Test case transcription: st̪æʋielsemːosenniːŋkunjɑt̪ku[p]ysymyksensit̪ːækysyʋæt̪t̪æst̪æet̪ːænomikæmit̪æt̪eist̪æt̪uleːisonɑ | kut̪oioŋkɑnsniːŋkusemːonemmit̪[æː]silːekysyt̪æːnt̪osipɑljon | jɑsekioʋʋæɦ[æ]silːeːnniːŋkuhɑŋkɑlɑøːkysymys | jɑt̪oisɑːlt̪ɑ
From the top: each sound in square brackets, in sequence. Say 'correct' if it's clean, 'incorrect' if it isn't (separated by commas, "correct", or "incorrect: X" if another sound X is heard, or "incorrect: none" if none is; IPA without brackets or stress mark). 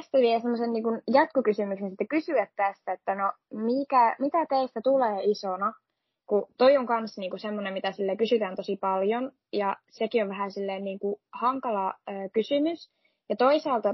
incorrect: k, incorrect: æ, correct